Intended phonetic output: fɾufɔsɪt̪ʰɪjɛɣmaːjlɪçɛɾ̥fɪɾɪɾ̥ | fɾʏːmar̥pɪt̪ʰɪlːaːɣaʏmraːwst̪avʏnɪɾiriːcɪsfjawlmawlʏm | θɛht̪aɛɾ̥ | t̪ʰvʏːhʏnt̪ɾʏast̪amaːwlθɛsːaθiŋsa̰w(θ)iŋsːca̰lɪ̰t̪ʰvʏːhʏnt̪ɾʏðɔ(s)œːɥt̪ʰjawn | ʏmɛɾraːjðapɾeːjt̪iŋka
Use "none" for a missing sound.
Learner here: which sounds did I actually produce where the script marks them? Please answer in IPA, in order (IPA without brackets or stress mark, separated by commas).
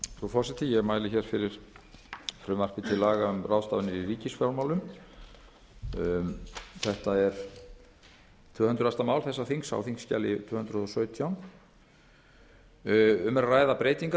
θ, s